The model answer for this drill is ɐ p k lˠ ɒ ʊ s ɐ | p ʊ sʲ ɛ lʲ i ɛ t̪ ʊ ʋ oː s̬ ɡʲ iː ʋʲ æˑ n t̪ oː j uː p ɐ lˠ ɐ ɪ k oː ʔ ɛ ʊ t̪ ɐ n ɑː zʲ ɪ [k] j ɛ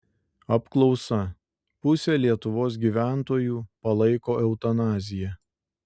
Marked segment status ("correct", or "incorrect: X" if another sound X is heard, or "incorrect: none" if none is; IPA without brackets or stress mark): incorrect: none